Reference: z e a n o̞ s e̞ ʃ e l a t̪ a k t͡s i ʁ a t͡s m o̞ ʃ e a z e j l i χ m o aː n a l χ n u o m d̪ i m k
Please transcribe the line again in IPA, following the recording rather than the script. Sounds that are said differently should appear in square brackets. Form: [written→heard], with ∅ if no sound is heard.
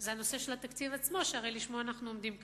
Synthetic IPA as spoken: z e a n o̞ s e̞ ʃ e l a t̪ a k t͡s i [ʁ→v] a t͡s m o̞ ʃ e a [z→ʁ] e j l i [χ→ʃ] m o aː n a [l→∅] χ n u o m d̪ i m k